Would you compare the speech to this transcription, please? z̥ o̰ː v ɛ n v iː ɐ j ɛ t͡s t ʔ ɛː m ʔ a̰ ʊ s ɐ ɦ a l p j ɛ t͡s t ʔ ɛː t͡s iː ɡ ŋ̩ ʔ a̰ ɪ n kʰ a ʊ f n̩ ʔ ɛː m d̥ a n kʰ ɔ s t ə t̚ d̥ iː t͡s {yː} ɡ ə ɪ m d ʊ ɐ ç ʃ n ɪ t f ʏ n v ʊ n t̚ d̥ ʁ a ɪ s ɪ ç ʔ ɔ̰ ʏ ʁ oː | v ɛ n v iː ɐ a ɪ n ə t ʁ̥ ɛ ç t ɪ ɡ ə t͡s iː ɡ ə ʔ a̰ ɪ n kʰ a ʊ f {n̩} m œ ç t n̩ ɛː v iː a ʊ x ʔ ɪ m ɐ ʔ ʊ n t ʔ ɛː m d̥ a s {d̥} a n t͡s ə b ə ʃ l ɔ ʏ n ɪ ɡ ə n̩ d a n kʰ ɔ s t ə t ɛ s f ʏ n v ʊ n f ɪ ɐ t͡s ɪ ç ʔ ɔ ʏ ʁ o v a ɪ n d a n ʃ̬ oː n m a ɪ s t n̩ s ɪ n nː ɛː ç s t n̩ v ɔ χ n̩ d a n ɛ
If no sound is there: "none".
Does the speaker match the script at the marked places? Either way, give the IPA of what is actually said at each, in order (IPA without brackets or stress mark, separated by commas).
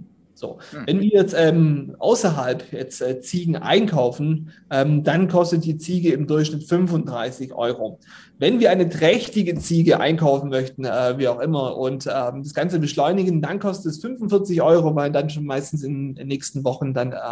iː, n̩, ɡ̥